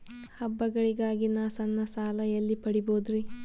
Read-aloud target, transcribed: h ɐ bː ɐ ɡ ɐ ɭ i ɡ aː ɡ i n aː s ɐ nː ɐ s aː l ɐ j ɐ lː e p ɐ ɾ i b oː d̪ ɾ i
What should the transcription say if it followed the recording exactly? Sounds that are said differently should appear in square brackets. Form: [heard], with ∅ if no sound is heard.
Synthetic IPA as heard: h ɐ bː ɐ ɡ ɐ ɭ i ɡ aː ɡ i n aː s ɐ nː ɐ s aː l ɐ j ɐ lː [i] p ɐ [ɽ] i b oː d̪ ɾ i